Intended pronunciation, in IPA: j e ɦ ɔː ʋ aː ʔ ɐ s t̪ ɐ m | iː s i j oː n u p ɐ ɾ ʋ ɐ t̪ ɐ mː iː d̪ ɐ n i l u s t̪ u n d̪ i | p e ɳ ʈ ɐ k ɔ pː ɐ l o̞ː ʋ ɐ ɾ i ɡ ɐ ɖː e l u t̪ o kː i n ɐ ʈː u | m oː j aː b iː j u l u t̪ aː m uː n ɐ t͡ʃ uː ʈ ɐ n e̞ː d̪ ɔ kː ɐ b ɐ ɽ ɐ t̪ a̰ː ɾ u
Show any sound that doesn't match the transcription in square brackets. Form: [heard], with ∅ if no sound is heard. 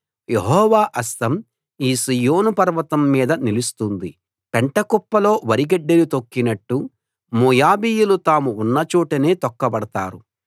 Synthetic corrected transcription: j e ɦ ɔː ʋ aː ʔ ɐ s t̪ ɐ m | iː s i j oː n u p ɐ ɾ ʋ ɐ t̪ ɐ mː iː d̪ ɐ n i l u s t̪ u n d̪ i | p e ɳ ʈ ɐ k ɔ pː ɐ l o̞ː ʋ ɐ ɾ i ɡ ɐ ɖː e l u t̪ o kː i n ɐ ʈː u | m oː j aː b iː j u l u t̪ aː m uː [nː] ɐ t͡ʃ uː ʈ ɐ n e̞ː [t̪] ɔ kː ɐ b ɐ ɽ ɐ t̪ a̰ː ɾ u